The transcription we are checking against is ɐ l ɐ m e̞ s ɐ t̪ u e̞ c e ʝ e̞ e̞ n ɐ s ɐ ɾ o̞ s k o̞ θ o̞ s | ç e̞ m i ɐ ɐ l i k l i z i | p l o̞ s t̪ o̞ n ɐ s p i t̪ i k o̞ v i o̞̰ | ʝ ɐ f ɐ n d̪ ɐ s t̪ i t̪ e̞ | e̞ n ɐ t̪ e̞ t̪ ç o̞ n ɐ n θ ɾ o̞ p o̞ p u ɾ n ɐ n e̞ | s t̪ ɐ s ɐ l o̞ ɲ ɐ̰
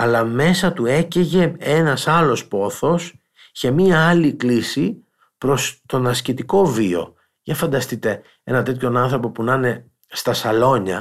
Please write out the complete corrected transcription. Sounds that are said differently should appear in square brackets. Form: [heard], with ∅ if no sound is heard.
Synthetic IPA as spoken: ɐ l ɐ m e̞ s ɐ t̪ u e̞ c e ʝ e̞ e̞ n ɐ s ɐ [l] o̞ s [p] o̞ θ o̞ s | ç e̞ m i ɐ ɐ l i k l i [s] i | p [ɾ] o̞ s t̪ o̞ n ɐ s [c] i t̪ i k o̞ v i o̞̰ | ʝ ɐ f ɐ n d̪ ɐ s t̪ i t̪ e̞ | e̞ n ɐ t̪ e̞ t̪ ç o̞ n ɐ n θ ɾ o̞ p o̞ p u [∅] n ɐ n e̞ | s t̪ ɐ s ɐ l o̞ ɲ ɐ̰